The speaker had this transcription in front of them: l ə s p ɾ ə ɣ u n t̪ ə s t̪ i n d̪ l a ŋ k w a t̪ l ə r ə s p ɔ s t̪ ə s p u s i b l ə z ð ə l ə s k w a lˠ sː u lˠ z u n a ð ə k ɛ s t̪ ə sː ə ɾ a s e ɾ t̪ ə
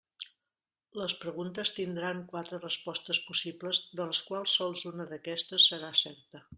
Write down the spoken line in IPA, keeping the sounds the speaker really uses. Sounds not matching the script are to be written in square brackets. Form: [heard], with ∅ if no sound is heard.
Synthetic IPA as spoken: l ə s p ɾ ə ɣ u n t̪ ə s t̪ i n d̪ [ɾ] a ŋ k w a t̪ [ɾ] ə r ə s p ɔ s t̪ ə s p u s i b l ə z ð ə l ə s k w a lˠ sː [ɔ] lˠ z u n [ə] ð ə k ɛ s t̪ ə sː ə ɾ a s [ɛ] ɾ t̪ ə